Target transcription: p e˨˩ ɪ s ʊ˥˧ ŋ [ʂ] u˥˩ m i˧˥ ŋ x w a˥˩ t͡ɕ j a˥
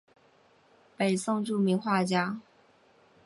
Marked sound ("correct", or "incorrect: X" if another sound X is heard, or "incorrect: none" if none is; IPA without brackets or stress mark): incorrect: ʈ͡ʂ